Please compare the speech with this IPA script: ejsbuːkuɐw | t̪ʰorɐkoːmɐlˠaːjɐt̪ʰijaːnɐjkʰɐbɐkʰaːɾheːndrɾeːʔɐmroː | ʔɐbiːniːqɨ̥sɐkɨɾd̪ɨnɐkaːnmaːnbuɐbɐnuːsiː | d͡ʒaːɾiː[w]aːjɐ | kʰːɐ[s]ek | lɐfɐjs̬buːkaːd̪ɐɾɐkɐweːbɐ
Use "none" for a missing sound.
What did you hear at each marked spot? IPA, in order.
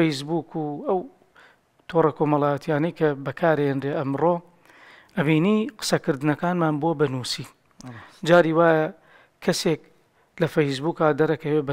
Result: w, s

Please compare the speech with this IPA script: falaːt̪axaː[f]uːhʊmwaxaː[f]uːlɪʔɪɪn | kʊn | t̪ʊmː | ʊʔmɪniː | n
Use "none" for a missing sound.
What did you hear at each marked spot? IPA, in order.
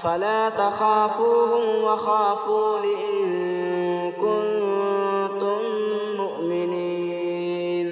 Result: f, f

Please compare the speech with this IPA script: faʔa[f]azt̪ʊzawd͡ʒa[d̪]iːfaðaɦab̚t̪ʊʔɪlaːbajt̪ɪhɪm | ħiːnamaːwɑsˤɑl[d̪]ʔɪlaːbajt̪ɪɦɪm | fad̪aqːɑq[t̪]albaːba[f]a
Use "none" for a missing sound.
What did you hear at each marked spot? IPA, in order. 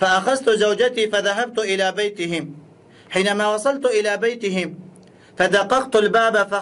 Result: x, t̪, t̪, t̪, f

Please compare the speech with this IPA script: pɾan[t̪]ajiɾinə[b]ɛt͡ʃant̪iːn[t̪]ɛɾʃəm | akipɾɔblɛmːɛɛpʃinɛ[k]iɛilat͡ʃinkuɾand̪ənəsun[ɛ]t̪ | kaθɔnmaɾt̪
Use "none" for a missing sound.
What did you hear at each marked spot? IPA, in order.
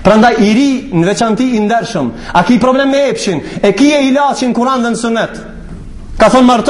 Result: d̪, v, d̪, k, ɛ

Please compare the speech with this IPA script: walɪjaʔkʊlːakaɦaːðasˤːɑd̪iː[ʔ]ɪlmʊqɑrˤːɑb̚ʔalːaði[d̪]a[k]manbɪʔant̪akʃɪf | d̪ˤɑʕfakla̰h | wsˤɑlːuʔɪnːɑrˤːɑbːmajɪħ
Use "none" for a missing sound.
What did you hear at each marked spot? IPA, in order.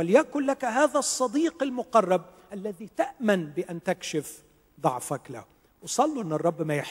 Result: q, t̪, ʔ

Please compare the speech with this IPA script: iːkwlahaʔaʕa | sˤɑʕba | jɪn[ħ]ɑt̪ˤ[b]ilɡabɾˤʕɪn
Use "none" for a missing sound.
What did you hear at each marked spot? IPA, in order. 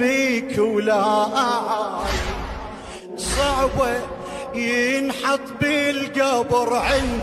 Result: ħ, b

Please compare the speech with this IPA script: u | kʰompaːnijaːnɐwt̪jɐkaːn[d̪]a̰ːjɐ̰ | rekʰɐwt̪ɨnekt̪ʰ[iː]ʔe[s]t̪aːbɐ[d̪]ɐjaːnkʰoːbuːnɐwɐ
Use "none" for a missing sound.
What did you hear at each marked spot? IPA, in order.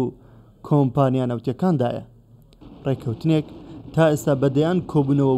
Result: d̪, aː, s, d̪

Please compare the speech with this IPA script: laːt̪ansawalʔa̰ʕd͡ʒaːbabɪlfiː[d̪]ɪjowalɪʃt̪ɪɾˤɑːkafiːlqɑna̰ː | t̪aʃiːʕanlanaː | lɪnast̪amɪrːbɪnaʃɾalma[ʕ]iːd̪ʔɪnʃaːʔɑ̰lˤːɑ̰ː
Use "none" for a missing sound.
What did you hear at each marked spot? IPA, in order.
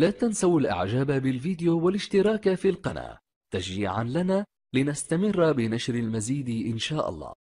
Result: d̪, z

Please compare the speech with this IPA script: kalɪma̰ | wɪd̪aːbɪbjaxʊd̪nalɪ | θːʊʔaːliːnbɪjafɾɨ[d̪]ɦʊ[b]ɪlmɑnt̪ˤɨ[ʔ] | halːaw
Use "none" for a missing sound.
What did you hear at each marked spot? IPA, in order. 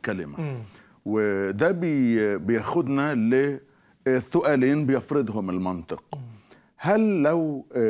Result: d̪, m, q

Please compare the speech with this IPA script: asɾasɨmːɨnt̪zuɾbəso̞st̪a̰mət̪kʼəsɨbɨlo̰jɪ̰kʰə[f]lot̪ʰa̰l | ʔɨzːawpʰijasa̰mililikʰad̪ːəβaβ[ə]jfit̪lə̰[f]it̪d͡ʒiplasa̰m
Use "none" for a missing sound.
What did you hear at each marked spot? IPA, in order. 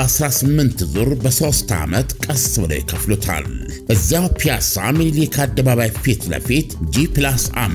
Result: f, a, f

